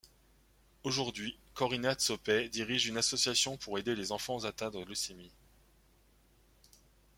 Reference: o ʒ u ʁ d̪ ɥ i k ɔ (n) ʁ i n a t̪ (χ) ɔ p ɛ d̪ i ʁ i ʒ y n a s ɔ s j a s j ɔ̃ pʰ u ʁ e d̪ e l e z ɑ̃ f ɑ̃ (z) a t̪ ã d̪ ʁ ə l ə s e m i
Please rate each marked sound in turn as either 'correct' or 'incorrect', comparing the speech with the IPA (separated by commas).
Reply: incorrect, incorrect, correct